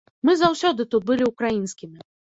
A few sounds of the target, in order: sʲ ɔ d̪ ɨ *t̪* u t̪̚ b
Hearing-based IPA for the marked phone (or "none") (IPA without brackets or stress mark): t̪